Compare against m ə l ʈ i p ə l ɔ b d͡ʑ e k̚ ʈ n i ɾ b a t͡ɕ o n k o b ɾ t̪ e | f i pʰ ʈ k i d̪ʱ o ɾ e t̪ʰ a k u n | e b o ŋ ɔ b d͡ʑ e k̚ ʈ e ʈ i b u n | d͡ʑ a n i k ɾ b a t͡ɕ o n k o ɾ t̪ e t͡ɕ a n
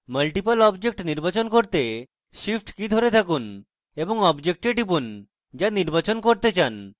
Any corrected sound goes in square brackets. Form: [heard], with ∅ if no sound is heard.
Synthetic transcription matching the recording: m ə l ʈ i p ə l ɔ b d͡ʑ e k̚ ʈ n i ɾ b a t͡ɕ o n k o [∅] ɾ t̪ e | [ʃ] i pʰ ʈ k i d̪ʱ o ɾ e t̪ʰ a k u n | e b o ŋ ɔ b d͡ʑ e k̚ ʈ e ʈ i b u n | d͡ʑ a n i [∅] ɾ b a t͡ɕ o n k o ɾ t̪ e t͡ɕ a n